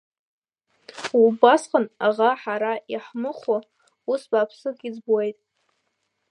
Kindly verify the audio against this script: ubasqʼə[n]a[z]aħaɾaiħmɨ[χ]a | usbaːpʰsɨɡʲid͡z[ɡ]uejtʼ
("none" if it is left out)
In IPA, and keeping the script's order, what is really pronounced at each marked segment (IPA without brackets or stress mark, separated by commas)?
n, ʁ, χ, b